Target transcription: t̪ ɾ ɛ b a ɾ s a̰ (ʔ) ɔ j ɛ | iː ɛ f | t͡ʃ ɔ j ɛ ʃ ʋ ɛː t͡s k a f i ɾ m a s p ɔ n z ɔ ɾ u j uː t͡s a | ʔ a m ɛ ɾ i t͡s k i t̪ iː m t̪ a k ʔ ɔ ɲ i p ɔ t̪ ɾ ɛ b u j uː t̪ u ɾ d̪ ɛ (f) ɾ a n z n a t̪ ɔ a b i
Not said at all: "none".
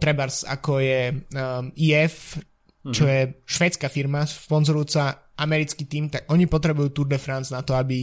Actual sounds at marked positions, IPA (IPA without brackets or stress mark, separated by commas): k, f